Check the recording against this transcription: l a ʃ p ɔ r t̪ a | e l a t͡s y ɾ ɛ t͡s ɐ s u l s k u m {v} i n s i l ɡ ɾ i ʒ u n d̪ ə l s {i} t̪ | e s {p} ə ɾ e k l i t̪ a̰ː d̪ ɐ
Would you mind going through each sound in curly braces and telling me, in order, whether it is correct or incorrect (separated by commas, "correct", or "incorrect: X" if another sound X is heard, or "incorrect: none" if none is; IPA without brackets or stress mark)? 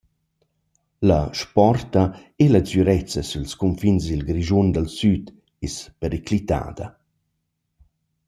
incorrect: f, incorrect: y, correct